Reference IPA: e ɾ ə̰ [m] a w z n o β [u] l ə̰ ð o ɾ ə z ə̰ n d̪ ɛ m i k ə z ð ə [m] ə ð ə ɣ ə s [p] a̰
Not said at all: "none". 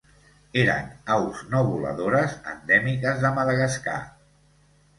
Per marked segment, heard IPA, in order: n, u, m, k

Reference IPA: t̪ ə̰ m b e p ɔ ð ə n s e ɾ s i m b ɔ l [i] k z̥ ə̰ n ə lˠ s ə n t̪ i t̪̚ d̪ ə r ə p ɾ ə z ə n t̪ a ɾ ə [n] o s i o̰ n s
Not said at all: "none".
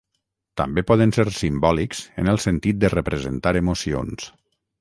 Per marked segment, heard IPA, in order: i, m

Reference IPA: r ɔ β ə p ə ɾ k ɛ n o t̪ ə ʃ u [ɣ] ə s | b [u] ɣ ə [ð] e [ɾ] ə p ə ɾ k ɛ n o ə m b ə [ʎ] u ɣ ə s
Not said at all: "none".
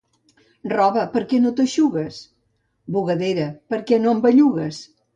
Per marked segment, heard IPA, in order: ɣ, u, ð, ɾ, ʎ

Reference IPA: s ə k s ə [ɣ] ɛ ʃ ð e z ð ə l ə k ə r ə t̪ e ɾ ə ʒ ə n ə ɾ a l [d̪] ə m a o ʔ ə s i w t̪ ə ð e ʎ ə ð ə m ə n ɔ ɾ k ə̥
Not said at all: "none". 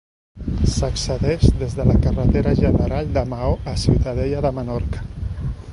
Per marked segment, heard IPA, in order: ð, d̪

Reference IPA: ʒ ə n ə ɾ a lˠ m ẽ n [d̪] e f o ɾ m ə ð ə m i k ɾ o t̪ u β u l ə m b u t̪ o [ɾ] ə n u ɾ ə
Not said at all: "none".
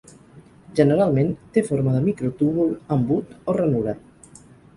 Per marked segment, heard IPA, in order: t̪, r

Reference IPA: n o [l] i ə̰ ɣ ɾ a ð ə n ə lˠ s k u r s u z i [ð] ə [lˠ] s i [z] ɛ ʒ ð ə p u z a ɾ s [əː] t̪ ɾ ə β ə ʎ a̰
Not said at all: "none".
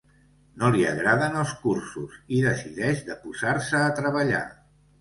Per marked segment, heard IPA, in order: l, ð, none, ð, əː

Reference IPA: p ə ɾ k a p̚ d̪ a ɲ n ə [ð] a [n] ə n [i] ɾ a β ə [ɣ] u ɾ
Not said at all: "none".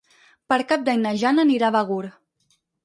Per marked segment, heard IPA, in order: ʒ, n, i, ɣ

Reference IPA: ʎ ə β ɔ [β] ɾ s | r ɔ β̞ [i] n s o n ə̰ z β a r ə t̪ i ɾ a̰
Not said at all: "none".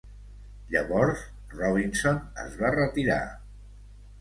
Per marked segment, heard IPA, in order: none, i

